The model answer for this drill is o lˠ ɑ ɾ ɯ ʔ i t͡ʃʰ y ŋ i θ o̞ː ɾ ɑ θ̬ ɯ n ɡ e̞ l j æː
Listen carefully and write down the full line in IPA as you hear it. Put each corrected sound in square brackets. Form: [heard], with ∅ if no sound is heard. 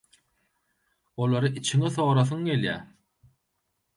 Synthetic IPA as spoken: o lˠ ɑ ɾ ɯ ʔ i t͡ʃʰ [i] ŋ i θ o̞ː ɾ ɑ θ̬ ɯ [ŋ] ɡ e̞ l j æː